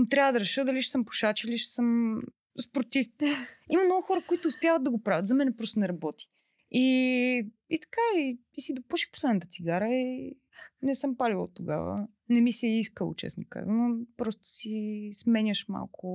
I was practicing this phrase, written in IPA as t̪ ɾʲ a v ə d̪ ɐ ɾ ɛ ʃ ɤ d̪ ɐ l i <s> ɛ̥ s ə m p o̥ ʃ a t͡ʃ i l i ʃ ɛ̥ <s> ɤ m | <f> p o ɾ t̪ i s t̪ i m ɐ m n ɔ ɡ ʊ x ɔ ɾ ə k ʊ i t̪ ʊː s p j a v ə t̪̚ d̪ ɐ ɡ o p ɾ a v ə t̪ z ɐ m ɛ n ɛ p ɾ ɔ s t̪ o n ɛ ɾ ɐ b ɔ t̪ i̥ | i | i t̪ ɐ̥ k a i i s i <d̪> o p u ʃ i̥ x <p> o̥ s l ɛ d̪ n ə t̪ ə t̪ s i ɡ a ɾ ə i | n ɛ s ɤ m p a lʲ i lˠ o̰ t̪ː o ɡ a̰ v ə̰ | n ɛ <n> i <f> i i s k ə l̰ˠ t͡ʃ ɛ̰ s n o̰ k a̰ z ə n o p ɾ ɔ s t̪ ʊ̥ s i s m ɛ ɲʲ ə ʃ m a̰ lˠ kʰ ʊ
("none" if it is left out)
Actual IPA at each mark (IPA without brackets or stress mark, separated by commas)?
ʃ, s, s, d̪, p, m, s